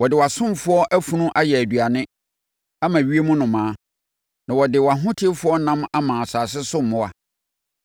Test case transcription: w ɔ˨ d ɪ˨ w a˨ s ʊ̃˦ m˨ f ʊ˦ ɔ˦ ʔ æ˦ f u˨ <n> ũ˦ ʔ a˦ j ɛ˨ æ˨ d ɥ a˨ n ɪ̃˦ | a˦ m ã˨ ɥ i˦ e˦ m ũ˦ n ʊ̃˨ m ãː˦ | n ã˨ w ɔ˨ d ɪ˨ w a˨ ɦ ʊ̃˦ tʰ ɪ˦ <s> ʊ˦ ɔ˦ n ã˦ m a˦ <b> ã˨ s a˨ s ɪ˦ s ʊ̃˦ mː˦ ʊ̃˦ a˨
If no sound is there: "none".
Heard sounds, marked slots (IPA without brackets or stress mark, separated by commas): n, f, m